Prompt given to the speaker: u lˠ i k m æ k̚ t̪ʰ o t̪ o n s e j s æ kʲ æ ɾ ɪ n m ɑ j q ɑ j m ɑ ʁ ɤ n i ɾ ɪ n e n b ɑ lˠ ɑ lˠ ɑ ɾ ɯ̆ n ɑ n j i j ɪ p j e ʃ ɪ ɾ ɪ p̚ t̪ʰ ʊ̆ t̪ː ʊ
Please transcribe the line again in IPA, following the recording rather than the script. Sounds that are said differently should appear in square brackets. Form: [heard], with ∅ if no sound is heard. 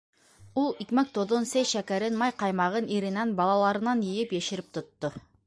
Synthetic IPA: u lˠ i k m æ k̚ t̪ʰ o [d̪] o n s e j [ʃ] æ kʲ æ ɾ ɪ n m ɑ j q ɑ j m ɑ ʁ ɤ n i ɾ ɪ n [æ] n b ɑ lˠ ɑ lˠ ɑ ɾ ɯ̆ n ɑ n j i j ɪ p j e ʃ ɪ ɾ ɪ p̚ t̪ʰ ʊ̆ t̪ː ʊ